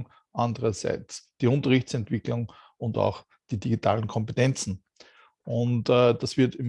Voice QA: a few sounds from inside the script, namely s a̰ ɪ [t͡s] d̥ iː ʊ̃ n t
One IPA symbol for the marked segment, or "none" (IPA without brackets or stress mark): t͡s